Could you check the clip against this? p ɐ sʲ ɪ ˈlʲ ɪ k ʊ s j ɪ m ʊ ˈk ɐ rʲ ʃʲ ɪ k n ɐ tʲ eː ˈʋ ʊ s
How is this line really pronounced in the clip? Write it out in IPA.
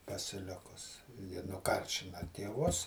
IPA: p ɐ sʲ ɪ ˈlʲ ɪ k ʊ s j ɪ n ʊ ˈk ɐ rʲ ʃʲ ɪ n ɐ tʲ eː ˈʋ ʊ s

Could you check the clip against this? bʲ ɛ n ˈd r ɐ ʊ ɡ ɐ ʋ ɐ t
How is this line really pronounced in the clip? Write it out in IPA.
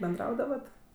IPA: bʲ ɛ n ˈd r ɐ ʊ d ɐ ʋ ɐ t

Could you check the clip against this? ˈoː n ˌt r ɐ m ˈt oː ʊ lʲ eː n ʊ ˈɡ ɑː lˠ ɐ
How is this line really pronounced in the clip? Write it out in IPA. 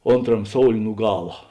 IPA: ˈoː n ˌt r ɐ m ˈs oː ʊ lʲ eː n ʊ ˈɡ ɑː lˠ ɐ

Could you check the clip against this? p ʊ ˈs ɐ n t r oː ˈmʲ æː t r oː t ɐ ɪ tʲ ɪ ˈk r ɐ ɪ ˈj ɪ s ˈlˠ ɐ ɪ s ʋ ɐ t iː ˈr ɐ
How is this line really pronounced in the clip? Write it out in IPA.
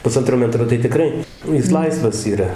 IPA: p ʊ ˈs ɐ n t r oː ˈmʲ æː t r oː t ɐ ɪ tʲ ɪ ˈk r ɐ ɪ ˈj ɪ s ˈlˠ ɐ ɪ s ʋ ɐ s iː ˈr ɐ

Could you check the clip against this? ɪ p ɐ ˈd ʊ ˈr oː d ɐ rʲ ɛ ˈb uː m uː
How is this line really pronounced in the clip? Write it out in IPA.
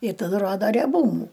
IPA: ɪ t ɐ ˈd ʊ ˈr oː d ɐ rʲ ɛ ˈb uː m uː

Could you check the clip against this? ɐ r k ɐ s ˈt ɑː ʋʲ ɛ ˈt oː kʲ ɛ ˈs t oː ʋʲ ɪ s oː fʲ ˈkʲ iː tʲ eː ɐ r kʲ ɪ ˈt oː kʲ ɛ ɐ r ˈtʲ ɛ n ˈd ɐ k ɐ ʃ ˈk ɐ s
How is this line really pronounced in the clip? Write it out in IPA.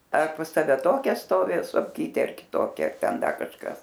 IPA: ɐ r p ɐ s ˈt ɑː ʋʲ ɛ ˈt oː kʲ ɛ ˈs t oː ʋʲ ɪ s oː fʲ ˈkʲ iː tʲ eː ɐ r kʲ ɪ ˈt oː kʲ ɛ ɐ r ˈtʲ ɛ n ˈd ɐ k ɐ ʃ ˈk ɐ s

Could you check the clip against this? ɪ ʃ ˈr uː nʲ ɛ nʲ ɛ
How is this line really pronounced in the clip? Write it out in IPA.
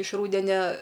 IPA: ɪ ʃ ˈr uː dʲ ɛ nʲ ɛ

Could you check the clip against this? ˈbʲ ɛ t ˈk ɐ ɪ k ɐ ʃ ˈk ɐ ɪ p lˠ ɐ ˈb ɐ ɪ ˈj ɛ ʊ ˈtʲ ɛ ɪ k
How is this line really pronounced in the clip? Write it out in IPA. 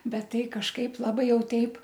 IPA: ˈbʲ ɛ t ˈt ɐ ɪ k ɐ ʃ ˈk ɐ ɪ p lˠ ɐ ˈb ɐ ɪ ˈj ɛ ʊ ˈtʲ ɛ ɪ p

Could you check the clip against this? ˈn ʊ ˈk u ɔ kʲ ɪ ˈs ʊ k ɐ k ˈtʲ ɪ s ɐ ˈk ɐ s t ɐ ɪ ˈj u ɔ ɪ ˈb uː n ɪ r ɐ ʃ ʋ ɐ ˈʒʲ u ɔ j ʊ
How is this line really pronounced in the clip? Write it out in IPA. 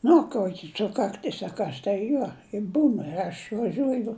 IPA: ˈn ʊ ˈk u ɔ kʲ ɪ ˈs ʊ k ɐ k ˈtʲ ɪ s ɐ ˈk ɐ s t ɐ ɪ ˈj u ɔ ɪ ˈb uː n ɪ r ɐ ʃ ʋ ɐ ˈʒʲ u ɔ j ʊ

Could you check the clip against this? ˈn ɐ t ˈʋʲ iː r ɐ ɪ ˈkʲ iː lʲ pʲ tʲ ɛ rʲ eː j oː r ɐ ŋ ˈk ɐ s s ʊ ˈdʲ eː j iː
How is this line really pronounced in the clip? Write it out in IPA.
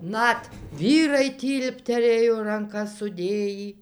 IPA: ˈn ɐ t ˈʋʲ iː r ɐ ɪ ˈtʲ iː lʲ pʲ tʲ ɛ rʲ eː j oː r ɐ ŋ ˈk ɐ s s ʊ ˈdʲ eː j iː

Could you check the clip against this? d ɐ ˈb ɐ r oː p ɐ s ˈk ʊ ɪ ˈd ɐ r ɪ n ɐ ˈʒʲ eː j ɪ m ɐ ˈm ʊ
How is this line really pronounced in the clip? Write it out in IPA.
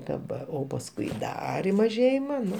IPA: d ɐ ˈb ɐ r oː p ɐ s ˈk ʊ ɪ ˈd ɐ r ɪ m ɐ ˈʒʲ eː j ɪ m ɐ ˈn ʊ

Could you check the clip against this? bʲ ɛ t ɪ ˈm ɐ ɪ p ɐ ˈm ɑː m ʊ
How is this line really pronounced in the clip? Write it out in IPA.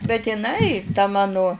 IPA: bʲ ɛ t ɪ ˈn ɐ ɪ t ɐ ˈm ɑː n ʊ

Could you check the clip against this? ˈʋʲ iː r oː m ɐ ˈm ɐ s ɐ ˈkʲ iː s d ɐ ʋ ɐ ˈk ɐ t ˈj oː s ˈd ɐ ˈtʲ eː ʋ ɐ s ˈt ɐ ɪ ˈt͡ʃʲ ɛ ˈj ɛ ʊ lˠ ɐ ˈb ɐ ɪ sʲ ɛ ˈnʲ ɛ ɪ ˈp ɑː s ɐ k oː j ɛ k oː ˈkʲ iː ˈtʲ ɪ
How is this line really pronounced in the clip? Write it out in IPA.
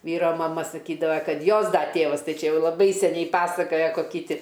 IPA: ˈʋʲ iː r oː m ɐ ˈm ɐ s ɐ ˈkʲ iː d ɐ ʋ ɐ ˈk ɐ t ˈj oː s ˈd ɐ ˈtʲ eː ʋ ɐ s ˈt ɐ ɪ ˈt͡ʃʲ ɛ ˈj ɛ ʊ lˠ ɐ ˈb ɐ ɪ sʲ ɛ ˈnʲ ɛ ɪ ˈp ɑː s ɐ k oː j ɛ k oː ˈkʲ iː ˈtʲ ɪ

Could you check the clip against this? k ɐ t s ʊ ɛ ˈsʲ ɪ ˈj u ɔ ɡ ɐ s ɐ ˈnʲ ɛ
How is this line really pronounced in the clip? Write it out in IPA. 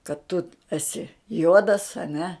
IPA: k ɐ t t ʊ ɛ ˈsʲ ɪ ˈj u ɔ d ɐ s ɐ ˈnʲ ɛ

